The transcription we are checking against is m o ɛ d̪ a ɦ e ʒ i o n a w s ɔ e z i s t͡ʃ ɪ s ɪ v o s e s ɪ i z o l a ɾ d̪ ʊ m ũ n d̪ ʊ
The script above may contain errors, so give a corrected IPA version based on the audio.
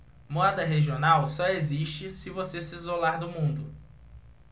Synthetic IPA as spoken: m o ɛ d̪ ɐ ɦ e ʒ i o n a w s ɔ e z i ʃ t͡ʃ ɪ s ɪ v o s e s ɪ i z o l a ɾ d̪ ʊ m ũ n d̪ ʊ